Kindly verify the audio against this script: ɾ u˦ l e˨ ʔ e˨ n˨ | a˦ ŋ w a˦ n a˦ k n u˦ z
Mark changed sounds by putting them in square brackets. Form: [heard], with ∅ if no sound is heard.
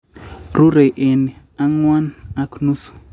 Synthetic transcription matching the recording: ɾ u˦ [ɾ] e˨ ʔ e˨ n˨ | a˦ ŋ w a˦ n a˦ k n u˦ [s]